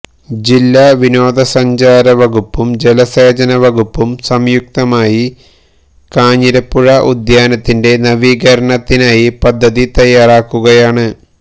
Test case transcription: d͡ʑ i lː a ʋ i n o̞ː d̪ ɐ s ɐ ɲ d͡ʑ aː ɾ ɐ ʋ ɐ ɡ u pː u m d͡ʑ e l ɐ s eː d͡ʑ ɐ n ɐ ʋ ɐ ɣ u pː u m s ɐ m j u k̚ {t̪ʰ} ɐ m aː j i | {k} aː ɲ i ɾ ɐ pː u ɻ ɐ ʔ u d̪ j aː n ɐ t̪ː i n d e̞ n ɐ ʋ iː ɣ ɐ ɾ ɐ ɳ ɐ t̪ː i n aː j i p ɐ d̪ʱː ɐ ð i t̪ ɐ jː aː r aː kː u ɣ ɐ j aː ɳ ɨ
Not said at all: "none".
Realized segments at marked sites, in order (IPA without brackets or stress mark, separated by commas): t̪, k